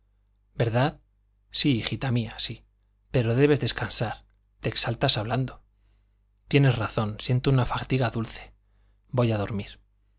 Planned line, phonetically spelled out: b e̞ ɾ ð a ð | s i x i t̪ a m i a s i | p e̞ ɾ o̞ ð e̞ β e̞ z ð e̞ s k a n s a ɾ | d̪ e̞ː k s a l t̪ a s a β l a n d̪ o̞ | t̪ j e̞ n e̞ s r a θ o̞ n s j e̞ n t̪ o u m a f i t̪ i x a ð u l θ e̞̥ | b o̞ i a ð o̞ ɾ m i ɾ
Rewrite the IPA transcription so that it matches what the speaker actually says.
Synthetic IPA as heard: b e̞ ɾ ð a ð | s i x i t̪ a m i a s i | p e̞ ɾ o̞ ð e̞ β e̞ z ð e̞ s k a n s a ɾ | t̪ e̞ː k s a l t̪ a s a β l a n d̪ o̞ | t̪ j e̞ n e̞ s r a θ o̞ n s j e̞ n t̪ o u n a f a t̪ i ɣ a ð u l θ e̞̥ | b o̞ j a ð o̞ ɾ m i ɾ